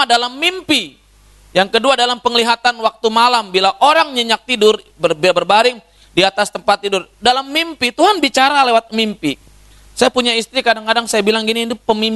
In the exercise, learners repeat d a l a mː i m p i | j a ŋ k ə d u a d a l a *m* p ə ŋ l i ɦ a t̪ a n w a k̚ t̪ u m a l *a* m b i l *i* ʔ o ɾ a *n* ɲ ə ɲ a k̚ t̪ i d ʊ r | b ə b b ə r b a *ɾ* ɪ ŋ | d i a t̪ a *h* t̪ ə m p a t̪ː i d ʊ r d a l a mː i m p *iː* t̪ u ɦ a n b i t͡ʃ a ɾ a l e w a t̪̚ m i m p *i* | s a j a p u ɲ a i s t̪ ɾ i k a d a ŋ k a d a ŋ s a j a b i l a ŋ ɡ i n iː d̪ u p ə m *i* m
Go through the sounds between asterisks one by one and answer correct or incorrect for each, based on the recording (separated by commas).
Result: correct, correct, incorrect, incorrect, correct, incorrect, incorrect, correct, correct